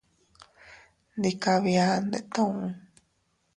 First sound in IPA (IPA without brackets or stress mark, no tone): n